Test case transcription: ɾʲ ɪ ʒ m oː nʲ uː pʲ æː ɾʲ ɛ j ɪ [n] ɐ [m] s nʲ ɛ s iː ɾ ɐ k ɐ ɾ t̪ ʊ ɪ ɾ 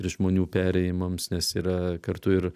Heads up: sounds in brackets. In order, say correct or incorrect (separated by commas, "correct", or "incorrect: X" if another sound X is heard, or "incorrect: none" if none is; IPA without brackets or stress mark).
incorrect: m, correct